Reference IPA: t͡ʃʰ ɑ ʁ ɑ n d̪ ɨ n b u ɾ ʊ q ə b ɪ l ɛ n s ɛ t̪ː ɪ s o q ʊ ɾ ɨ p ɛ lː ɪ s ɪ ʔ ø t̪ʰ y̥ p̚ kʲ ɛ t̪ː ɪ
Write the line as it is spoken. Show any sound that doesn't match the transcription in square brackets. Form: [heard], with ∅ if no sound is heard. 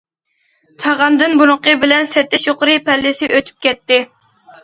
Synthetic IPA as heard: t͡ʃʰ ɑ ʁ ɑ n d̪ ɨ n b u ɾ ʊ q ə b ɪ l ɛ n s ɛ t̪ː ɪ [ʃ] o q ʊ ɾ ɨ p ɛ lː ɪ s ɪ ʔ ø t̪ʰ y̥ p̚ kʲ ɛ t̪ː ɪ